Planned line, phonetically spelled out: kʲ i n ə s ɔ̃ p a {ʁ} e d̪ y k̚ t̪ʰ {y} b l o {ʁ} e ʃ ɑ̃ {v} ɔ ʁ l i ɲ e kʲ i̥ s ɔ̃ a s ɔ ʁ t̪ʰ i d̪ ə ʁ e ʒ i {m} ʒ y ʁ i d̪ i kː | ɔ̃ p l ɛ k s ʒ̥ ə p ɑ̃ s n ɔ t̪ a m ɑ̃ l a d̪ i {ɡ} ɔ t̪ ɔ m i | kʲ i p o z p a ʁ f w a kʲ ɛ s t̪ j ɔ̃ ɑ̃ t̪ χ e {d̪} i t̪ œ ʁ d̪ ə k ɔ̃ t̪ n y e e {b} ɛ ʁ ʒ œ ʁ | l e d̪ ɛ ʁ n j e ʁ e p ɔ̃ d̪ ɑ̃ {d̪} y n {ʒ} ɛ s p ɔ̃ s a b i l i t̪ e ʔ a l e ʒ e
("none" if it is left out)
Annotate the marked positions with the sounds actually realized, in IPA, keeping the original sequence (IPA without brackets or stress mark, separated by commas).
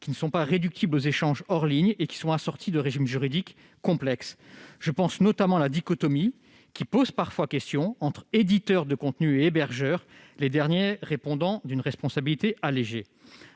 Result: ʁ, i, z, ʒ, m, k, d̪, b, d̪, ʁ